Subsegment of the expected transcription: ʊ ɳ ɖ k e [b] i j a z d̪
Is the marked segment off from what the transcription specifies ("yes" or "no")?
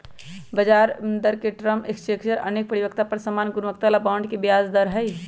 no